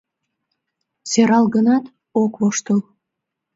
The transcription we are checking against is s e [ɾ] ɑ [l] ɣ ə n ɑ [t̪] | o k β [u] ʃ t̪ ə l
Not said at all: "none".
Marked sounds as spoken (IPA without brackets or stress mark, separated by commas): ɾ, l, t̪, o